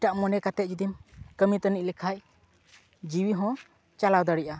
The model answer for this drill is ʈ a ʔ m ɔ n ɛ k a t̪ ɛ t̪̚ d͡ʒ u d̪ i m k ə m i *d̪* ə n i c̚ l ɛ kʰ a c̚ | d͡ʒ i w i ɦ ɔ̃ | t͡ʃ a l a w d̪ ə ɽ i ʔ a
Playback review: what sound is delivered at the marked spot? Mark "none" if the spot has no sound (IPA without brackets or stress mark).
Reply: t̪